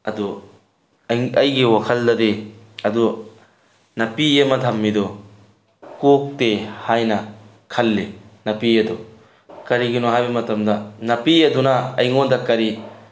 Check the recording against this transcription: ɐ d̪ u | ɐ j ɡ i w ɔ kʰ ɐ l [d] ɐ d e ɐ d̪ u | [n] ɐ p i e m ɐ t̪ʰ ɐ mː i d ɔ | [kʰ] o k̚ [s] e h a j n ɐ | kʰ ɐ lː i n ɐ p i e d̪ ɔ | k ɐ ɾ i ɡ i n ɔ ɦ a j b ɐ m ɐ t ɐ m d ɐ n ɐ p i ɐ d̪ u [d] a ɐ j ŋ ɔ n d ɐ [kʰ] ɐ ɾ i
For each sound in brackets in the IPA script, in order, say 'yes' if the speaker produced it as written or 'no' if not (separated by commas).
yes, yes, no, no, no, no